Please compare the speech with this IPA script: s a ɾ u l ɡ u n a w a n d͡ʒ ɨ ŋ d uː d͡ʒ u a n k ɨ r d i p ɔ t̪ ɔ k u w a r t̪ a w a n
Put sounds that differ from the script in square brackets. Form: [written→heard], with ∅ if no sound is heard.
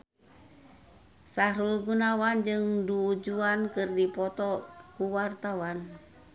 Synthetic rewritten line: s a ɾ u l ɡ u n a w a n d͡ʒ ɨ ŋ d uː d͡ʒ u a n k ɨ r d i p ɔ t̪ ɔ k u w a r t̪ a w a n